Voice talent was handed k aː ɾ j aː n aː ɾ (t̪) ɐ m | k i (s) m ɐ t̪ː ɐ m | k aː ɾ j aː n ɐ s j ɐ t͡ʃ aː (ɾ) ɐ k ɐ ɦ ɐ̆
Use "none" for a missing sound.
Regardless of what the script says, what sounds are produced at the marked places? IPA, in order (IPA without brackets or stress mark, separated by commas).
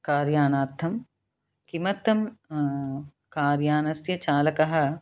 t̪ʰ, none, l